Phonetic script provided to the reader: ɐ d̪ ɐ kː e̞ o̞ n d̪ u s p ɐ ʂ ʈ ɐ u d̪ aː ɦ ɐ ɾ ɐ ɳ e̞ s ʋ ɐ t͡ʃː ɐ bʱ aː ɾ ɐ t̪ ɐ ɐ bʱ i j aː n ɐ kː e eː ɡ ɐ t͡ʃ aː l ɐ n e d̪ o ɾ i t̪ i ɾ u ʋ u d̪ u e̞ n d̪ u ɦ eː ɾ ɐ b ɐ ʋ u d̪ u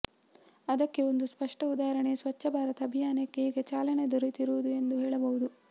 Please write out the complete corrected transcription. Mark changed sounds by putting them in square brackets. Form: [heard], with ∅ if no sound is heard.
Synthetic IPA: ɐ d̪ ɐ kː e̞ o̞ n d̪ u s p ɐ ʂ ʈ ɐ u d̪ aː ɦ ɐ ɾ ɐ ɳ e̞ s ʋ ɐ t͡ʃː ɐ bʱ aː ɾ ɐ t̪ ɐ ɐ bʱ i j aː n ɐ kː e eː ɡ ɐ t͡ʃ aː l ɐ n e d̪ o ɾ i t̪ i ɾ u ʋ u d̪ u e̞ n d̪ u ɦ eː [ɭ] ɐ b ɐ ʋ u d̪ u

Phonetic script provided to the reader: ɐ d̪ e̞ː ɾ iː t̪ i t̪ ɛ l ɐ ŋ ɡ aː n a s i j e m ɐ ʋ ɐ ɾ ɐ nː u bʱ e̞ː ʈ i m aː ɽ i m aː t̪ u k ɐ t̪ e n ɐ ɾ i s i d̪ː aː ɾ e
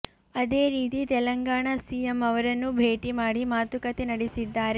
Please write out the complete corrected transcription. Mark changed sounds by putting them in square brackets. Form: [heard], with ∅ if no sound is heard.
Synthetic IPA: ɐ d̪ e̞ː ɾ iː t̪ i t̪ ɛ l ɐ ŋ ɡ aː [ɳ] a s i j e m ɐ ʋ ɐ ɾ ɐ nː u bʱ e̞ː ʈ i m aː ɽ i m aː t̪ u k ɐ t̪ e n ɐ [ɽ] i s i d̪ː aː ɾ e

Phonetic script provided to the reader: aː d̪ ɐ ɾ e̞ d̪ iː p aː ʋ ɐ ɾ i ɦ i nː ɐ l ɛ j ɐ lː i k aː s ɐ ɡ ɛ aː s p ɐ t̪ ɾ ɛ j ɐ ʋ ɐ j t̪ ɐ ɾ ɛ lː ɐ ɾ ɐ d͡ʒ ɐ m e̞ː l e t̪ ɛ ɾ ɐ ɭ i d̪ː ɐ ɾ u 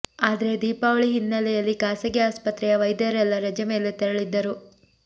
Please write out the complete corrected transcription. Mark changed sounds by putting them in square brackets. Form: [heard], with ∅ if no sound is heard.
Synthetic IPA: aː d̪ ɐ ɾ e̞ d̪ iː p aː ʋ ɐ [ɭ] i ɦ i nː ɐ l ɛ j ɐ lː i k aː s ɐ ɡ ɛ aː s p ɐ t̪ ɾ ɛ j ɐ ʋ ɐ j [d̪] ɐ ɾ ɛ lː ɐ ɾ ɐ d͡ʒ ɐ m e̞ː l e t̪ ɛ ɾ ɐ ɭ i d̪ː ɐ ɾ u

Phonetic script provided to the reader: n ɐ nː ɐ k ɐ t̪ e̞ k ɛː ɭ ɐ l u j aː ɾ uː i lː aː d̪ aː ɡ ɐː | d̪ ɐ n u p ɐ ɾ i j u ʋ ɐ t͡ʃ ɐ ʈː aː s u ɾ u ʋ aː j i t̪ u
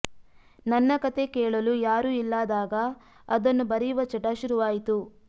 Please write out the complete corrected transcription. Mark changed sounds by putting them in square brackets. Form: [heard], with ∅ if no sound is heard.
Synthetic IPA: n ɐ nː ɐ k ɐ t̪ e̞ k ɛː ɭ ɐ l u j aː ɾ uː i lː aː d̪ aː ɡ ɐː | d̪ ɐ [nː] u [b] ɐ ɾ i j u ʋ ɐ t͡ʃ ɐ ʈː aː [ʃ] u ɾ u ʋ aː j i t̪ u

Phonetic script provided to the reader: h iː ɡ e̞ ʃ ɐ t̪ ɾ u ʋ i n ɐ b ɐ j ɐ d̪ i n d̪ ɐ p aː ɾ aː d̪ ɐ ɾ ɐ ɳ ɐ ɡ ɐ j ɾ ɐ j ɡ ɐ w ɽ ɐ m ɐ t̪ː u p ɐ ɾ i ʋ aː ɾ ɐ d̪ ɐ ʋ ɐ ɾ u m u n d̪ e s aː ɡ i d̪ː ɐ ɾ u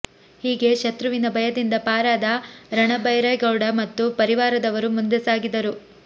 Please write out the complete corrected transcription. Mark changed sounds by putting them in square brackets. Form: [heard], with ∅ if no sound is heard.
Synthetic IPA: h iː ɡ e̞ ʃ ɐ t̪ ɾ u ʋ i n ɐ b ɐ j ɐ d̪ i n d̪ ɐ p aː ɾ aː d̪ ɐ ɾ ɐ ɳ ɐ [b] ɐ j ɾ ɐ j ɡ ɐ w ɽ ɐ m ɐ t̪ː u p ɐ ɾ i ʋ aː ɾ ɐ d̪ ɐ ʋ ɐ ɾ u m u n d̪ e s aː ɡ i [d̪] ɐ ɾ u

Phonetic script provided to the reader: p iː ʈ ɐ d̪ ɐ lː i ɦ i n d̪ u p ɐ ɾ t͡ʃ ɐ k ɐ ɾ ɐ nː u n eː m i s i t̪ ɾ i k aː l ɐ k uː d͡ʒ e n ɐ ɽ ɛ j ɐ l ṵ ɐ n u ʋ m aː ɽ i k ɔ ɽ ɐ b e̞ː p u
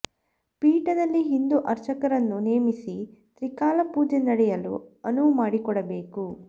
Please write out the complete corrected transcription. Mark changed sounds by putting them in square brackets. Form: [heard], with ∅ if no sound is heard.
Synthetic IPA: p iː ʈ ɐ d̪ ɐ lː i ɦ i n d̪ u [ʔ] ɐ ɾ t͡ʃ ɐ k ɐ ɾ ɐ nː u n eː m i s i t̪ ɾ i k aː l ɐ [p] uː d͡ʒ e n ɐ ɽ ɛ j ɐ l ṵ ɐ n u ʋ m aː ɽ i k ɔ ɽ ɐ b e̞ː [k] u

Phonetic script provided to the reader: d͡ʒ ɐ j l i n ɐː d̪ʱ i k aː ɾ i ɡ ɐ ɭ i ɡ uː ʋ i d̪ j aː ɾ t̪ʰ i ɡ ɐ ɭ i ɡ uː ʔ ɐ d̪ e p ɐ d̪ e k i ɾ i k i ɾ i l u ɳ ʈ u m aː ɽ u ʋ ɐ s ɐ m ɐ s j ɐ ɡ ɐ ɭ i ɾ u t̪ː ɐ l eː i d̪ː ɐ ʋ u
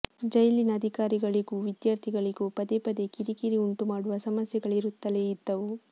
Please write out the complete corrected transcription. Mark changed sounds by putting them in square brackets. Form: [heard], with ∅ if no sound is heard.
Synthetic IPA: d͡ʒ ɐ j l i n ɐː d̪ʱ i k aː ɾ i ɡ ɐ ɭ i ɡ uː ʋ i d̪ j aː ɾ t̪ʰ i ɡ ɐ ɭ i ɡ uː [p] ɐ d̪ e p ɐ d̪ e k i ɾ i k i ɾ i [∅] u ɳ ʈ u m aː ɽ u ʋ ɐ s ɐ m ɐ s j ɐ ɡ ɐ ɭ i ɾ u t̪ː ɐ l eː i d̪ː ɐ ʋ u

